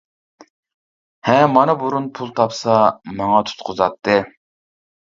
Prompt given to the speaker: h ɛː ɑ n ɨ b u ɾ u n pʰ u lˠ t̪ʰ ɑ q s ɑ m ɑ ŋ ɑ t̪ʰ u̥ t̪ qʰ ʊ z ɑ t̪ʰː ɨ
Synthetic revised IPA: h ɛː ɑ n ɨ b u ɾ u n pʰ u lˠ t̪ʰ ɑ p s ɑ m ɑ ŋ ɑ t̪ʰ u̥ t̪ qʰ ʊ z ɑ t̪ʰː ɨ

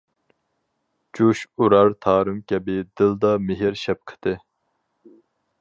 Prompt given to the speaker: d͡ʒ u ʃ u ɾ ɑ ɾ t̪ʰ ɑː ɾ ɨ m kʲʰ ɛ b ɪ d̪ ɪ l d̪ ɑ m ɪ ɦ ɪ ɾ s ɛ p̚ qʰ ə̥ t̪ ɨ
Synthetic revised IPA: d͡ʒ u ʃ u ɾ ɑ ɾ t̪ʰ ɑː ɾ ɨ m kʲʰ ɛ b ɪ d̪ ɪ l d̪ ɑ m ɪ ɦ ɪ ɾ ʃ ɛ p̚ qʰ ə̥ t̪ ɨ

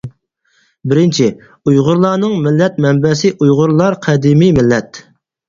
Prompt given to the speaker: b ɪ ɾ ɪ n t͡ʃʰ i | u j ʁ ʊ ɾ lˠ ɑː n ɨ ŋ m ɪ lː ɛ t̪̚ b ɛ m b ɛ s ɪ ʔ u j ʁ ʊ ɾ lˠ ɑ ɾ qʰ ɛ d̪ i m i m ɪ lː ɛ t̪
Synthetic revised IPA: b ɪ ɾ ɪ n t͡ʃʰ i | u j ʁ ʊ ɾ lˠ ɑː n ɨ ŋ m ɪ lː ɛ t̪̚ m ɛ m b ɛ s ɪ ʔ u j ʁ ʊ ɾ lˠ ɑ ɾ qʰ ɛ d̪ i m i m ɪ lː ɛ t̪

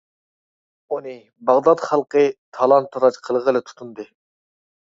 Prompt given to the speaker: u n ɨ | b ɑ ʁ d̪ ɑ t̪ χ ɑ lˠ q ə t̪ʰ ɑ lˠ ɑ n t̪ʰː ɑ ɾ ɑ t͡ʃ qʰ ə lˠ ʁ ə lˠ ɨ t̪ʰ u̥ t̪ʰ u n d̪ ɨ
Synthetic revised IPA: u n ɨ | b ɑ ʁ d̪ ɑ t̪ χ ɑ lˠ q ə t̪ʰ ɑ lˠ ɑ n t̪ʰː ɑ ɾ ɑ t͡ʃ qʰ ə lˠ ʁ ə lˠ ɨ t̪ʰ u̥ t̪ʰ u n d̪ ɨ

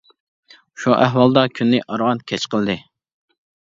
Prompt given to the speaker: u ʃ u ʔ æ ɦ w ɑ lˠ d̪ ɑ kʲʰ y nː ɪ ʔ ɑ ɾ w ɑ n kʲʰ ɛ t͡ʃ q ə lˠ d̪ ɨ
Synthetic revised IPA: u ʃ u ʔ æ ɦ w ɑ lˠ d̪ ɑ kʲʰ y nː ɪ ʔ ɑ ɾ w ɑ n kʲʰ ɛ t͡ʃ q ə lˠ d̪ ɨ

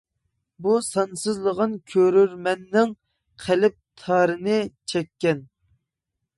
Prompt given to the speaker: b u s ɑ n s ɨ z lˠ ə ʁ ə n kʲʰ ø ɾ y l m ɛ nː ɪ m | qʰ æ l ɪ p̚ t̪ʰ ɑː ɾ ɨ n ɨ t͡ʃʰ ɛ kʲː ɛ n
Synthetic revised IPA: b u s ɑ n s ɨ z lˠ ə ʁ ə n kʲʰ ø ɾ y ɾ m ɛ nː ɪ ŋ | qʰ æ l ɪ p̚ t̪ʰ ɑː ɾ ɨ n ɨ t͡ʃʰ ɛ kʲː ɛ n

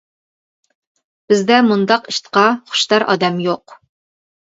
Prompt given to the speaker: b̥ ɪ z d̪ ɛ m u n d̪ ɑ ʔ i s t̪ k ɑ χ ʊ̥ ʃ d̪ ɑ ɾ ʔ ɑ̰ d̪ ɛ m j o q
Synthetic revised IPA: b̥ ɪ z d̪ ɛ m u n d̪ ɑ q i ʃ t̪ q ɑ χ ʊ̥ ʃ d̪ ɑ ɾ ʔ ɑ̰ d̪ ɛ m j o q

